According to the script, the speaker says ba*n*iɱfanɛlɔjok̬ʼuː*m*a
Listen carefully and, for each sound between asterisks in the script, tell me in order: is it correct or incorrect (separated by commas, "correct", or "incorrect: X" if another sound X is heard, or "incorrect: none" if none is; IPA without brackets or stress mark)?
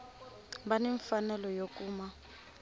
correct, correct